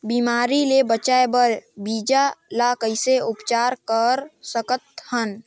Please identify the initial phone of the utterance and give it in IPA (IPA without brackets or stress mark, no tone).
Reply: b